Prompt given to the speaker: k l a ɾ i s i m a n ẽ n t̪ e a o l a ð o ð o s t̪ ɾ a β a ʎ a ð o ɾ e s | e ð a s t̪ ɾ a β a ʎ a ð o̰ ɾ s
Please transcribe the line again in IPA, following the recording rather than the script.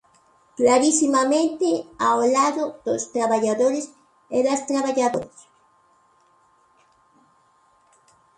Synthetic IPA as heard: k l a ɾ i s i m a m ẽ n t̪ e a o l a ð o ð o s t̪ ɾ a β a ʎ a ð o ɾ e s | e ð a s t̪ ɾ a β a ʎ a ð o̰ ɾ s